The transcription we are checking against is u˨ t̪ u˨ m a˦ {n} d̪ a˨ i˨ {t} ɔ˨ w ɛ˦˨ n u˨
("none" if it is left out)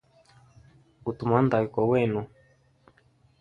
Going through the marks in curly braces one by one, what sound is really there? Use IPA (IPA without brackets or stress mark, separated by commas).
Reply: n, k